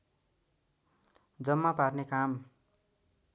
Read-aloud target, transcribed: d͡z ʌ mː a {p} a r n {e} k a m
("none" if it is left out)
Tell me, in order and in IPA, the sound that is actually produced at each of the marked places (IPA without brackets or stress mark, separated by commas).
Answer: p, e